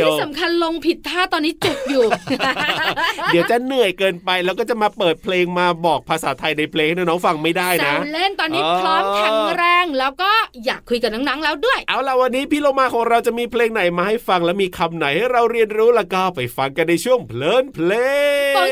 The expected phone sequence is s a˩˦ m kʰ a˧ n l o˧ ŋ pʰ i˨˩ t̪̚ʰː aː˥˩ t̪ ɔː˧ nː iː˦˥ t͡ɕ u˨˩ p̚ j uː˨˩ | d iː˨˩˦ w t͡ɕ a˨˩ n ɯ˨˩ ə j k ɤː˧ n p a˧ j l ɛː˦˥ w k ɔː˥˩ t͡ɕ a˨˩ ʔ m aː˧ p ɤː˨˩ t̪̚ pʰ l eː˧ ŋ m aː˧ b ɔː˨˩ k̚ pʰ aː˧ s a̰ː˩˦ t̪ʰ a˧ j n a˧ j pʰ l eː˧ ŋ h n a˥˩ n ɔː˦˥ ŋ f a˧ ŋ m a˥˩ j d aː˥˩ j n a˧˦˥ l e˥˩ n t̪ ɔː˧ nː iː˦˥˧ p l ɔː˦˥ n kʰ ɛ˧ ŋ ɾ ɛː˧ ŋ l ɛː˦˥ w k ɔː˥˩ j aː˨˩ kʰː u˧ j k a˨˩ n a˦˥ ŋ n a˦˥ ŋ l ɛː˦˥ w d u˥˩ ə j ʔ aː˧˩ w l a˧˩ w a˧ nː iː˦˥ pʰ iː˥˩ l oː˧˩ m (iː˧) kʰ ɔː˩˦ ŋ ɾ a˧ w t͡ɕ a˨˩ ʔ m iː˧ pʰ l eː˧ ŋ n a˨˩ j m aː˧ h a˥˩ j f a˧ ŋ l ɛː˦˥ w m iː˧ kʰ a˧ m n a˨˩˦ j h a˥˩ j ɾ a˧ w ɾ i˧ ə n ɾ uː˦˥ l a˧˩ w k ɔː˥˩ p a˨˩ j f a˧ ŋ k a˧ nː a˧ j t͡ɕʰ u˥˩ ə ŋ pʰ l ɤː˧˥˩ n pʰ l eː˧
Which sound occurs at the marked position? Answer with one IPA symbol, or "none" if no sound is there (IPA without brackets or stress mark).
aː˧